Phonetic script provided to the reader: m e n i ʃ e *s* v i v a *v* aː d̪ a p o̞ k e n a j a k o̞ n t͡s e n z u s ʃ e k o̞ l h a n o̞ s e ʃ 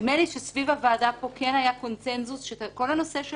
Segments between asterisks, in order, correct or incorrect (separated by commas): correct, correct